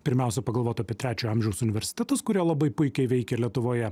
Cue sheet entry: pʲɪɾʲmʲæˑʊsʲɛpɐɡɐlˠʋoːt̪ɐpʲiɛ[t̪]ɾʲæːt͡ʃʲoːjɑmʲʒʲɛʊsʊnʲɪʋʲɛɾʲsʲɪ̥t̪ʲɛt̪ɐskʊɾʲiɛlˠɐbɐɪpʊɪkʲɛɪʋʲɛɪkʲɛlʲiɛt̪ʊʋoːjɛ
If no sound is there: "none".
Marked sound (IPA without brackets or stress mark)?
t̪